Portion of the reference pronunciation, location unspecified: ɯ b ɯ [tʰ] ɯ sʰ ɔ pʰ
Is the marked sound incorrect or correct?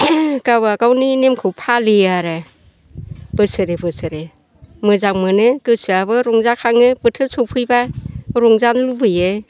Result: correct